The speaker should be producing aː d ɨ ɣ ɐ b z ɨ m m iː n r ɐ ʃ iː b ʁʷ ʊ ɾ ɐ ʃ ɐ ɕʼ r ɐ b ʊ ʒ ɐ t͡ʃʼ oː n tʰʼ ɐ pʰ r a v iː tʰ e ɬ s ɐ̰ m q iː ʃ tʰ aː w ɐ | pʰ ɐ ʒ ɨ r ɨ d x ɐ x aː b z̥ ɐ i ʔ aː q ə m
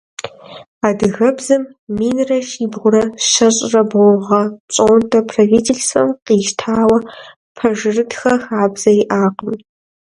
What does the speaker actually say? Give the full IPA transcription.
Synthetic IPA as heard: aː d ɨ ɣ ɐ b z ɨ m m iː n r ɐ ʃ iː b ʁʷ ʊ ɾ ɐ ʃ ɐ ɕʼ r ɐ b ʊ ʁ ɐ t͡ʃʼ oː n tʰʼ ɐ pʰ r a v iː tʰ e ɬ s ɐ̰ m q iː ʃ tʰ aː w ɐ | pʰ ɐ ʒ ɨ r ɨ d x ɐ x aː b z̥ ɐ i ʔ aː q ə m

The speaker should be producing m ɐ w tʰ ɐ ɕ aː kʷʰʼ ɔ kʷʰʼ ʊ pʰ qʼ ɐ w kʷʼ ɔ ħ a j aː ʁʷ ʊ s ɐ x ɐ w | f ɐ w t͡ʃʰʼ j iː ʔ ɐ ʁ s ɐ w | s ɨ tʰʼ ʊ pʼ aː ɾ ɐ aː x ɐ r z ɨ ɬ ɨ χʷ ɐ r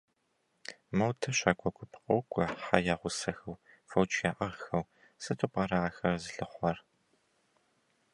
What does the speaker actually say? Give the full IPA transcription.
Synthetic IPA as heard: m ɐ w tʰ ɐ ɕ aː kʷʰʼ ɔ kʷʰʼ ʊ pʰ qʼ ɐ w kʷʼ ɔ ħ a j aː ʁʷ ʊ s ɐ x ɐ w | f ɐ w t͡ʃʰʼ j aː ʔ ɐ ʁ x ɐ w | s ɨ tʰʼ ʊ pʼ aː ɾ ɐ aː x ɐ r z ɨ ɬ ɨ χʷ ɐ r

